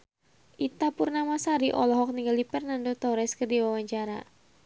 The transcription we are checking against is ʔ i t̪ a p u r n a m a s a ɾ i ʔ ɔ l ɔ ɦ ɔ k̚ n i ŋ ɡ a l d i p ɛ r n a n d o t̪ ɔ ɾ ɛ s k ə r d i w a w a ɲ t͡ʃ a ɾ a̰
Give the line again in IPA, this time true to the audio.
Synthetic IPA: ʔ i t̪ a p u r n a m a s a ɾ i ʔ ɔ l ɔ ɦ ɔ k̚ n i ŋ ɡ a l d i p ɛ r n a n d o t̪ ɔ ɾ ɛ s k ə r d i w a w a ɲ t͡ʃ a ɾ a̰